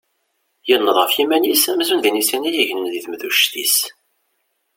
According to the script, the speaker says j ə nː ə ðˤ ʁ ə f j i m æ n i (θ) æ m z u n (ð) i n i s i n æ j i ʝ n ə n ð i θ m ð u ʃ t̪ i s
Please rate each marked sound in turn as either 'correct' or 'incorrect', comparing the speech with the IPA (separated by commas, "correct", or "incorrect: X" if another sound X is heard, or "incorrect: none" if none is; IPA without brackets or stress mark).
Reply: incorrect: s, correct